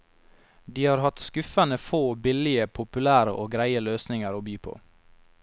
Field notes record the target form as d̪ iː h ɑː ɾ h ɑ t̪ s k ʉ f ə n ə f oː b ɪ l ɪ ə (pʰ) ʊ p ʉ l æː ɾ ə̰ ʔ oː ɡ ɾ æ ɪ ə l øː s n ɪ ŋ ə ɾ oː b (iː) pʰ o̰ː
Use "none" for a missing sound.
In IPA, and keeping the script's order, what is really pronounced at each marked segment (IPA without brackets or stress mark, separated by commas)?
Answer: pʰ, yː